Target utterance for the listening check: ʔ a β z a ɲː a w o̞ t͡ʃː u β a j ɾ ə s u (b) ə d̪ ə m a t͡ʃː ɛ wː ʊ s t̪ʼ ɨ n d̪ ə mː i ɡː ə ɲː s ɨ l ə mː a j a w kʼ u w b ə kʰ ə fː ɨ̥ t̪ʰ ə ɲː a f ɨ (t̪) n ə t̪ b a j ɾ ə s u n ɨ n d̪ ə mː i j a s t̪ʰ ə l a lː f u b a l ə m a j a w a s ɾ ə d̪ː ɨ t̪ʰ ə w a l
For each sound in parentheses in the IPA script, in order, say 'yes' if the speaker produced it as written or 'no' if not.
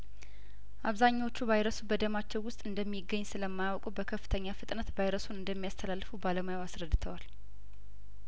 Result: yes, no

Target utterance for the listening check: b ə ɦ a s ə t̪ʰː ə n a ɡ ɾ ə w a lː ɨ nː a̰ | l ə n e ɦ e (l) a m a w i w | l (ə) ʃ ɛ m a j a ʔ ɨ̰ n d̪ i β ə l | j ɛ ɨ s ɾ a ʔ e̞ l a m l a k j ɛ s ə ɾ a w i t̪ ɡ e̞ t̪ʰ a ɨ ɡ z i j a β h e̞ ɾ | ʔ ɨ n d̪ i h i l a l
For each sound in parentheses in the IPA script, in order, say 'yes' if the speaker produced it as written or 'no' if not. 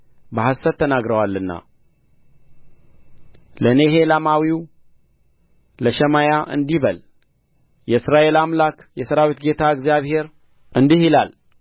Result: yes, yes

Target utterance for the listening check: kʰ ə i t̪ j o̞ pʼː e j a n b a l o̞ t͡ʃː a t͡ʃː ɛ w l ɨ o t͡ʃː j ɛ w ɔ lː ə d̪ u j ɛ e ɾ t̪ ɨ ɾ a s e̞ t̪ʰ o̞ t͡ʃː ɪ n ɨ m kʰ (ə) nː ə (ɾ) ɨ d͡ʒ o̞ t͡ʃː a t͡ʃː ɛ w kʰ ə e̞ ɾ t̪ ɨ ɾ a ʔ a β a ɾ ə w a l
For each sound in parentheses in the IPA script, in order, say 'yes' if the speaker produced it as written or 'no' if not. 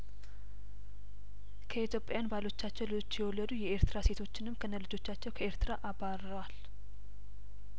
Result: yes, no

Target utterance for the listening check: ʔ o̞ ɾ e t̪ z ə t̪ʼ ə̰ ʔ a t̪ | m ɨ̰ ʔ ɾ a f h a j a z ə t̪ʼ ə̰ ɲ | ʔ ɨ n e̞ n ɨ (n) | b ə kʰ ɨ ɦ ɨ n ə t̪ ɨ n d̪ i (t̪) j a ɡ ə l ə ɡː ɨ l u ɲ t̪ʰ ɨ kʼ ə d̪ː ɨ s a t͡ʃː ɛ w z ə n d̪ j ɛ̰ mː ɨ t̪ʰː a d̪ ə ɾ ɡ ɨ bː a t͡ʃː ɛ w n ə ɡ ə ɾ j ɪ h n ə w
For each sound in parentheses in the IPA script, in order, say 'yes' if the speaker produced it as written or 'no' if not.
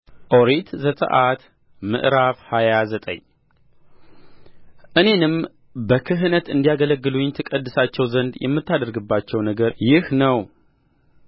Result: no, no

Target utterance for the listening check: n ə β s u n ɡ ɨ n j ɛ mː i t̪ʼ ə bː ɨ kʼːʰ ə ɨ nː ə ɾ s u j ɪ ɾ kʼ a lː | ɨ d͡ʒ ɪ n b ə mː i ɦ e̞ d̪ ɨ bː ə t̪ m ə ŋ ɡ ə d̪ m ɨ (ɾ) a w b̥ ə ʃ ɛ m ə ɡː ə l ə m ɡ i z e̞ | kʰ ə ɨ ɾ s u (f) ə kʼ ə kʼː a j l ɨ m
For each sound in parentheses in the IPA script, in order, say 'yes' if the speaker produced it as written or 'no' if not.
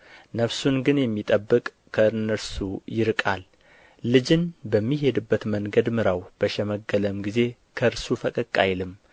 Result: yes, yes

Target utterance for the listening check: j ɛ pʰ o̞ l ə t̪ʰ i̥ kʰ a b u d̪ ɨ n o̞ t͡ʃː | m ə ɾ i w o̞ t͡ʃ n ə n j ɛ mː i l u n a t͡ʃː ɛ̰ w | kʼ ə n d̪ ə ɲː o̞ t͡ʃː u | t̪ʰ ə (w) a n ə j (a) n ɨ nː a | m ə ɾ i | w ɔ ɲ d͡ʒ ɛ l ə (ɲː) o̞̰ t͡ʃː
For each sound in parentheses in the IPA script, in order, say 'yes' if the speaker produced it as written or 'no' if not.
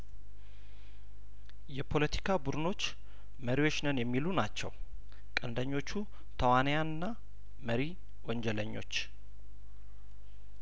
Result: yes, yes, yes

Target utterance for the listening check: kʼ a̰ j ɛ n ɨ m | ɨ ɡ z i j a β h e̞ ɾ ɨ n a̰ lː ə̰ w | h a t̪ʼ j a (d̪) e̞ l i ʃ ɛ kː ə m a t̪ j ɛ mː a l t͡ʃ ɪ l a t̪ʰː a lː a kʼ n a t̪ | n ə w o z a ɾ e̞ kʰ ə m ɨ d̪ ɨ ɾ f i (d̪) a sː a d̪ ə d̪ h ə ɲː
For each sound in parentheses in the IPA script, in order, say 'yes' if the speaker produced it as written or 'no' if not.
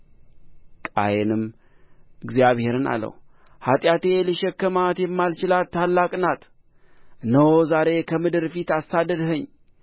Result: no, no

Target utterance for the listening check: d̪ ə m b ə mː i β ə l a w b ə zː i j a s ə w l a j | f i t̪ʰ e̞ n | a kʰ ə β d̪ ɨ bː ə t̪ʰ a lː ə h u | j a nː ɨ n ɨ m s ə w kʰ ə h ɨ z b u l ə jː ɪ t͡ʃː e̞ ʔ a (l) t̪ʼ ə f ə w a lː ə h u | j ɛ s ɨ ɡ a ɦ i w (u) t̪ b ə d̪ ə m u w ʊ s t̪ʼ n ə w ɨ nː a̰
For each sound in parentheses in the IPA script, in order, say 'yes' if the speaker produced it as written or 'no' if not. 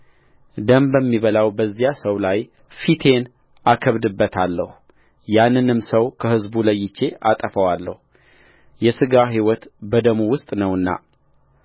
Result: no, no

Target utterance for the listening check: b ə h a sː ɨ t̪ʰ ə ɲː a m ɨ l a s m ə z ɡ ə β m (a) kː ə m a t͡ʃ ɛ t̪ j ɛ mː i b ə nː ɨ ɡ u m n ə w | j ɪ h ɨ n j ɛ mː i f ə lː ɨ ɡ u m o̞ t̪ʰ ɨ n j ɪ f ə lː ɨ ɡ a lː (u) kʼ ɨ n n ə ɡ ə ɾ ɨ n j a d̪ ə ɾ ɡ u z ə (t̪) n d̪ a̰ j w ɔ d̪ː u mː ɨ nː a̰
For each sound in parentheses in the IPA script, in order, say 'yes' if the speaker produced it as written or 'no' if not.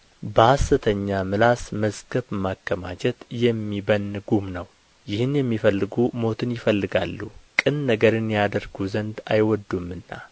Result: yes, yes, no

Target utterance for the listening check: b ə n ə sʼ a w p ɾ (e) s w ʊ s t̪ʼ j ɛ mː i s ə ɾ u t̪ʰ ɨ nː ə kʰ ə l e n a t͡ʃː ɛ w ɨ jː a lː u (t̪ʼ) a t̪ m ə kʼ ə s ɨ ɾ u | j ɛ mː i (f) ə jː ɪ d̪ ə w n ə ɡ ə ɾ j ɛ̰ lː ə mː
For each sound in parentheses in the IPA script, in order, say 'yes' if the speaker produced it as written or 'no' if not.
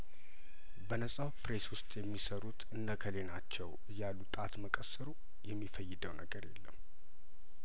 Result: yes, yes, yes

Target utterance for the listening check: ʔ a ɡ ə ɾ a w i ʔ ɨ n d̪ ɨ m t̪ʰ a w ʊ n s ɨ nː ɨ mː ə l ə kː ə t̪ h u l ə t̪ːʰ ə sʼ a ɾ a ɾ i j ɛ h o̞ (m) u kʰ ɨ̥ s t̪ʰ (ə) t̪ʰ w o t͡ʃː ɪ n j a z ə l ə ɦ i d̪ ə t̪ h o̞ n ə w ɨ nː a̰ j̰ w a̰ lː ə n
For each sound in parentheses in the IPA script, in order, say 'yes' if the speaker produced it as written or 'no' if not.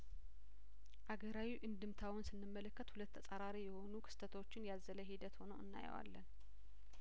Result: no, yes

